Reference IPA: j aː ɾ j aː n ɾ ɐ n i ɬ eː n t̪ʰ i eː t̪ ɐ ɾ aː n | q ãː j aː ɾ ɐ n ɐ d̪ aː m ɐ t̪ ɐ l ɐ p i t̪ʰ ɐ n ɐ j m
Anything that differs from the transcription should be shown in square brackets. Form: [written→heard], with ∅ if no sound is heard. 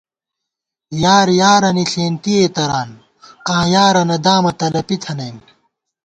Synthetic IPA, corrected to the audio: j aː ɾ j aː [n→∅] ɾ ɐ n i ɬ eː n [t̪ʰ→t̪] i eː t̪ ɐ ɾ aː n | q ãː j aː ɾ ɐ n ɐ d̪ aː m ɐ t̪ ɐ l ɐ p i t̪ʰ ɐ n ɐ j m